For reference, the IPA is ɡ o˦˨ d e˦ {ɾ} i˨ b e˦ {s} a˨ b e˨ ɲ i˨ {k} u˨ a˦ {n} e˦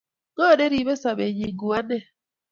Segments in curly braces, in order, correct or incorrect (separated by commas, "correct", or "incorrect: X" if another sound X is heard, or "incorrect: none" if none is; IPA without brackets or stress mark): correct, correct, incorrect: ɡ, correct